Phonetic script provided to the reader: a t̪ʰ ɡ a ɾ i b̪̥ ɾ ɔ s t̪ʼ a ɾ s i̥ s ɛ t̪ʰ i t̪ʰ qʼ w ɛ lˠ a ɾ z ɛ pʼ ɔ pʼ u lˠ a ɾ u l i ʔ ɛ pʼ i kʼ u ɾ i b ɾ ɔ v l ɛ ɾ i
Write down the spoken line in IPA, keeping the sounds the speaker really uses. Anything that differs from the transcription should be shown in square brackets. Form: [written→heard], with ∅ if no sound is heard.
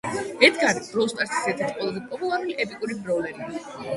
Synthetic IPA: [a→ɛ] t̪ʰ ɡ a ɾ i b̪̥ ɾ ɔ s t̪ʼ a ɾ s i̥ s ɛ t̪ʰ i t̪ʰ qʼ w ɛ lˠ a [ɾ→∅] z ɛ pʼ ɔ pʼ u lˠ a ɾ u l i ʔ ɛ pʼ i kʼ u ɾ i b ɾ ɔ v l ɛ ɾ i